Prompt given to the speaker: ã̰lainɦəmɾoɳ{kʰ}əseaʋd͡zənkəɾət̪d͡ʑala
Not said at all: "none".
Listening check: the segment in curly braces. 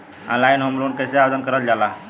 k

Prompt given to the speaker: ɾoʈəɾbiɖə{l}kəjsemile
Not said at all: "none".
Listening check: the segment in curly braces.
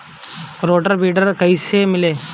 ɾ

